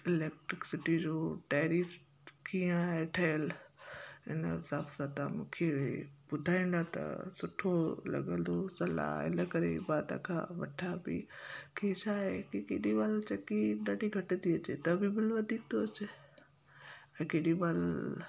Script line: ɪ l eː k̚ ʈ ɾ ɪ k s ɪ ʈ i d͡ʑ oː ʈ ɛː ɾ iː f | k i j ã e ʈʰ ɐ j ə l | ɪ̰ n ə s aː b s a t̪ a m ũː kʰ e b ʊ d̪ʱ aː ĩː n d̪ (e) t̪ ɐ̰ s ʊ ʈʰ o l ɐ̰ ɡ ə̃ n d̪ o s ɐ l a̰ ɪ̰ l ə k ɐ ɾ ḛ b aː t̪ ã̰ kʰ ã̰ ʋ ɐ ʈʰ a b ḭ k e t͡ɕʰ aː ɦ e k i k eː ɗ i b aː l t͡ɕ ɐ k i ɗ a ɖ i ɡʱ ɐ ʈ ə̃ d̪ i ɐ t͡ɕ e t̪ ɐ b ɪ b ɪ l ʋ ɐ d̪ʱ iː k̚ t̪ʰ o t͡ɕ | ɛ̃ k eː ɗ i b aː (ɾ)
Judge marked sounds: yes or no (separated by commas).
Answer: no, no